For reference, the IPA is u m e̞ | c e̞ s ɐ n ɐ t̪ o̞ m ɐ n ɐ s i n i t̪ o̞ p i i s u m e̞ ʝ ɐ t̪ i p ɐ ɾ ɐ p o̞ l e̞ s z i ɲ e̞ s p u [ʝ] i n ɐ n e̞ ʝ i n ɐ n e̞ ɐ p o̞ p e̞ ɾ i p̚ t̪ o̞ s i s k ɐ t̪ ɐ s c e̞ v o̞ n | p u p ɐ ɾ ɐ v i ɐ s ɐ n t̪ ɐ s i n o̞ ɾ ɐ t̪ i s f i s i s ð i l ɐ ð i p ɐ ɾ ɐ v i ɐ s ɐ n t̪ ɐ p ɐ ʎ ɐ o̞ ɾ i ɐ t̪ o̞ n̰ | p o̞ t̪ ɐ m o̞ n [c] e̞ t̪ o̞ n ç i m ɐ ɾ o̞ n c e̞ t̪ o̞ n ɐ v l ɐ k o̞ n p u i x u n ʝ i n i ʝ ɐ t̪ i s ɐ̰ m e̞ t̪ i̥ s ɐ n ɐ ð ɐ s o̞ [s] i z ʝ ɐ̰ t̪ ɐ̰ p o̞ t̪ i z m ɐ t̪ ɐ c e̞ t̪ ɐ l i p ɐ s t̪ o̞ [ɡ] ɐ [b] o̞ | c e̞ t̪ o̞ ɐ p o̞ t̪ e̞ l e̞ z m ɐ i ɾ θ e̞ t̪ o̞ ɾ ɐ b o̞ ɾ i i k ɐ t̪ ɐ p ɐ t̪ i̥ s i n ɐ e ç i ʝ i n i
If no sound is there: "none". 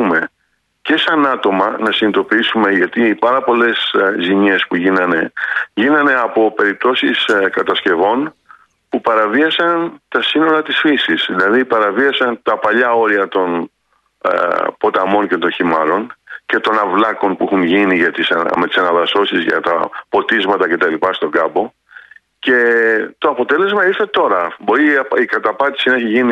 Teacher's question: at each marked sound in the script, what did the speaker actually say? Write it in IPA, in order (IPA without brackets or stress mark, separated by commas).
ʝ, c, s, ɡ, b